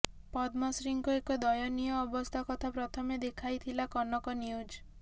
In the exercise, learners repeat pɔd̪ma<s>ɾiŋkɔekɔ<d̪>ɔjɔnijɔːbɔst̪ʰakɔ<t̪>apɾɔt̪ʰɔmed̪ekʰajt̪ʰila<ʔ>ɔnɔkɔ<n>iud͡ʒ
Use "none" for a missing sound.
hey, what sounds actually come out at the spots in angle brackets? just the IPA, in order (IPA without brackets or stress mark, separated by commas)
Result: s, d̪, t̪ʰ, k, n